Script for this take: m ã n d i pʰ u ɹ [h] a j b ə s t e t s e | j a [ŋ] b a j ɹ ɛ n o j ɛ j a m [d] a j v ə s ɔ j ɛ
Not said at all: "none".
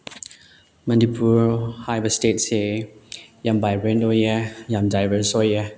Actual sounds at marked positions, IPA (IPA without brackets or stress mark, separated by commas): h, m, d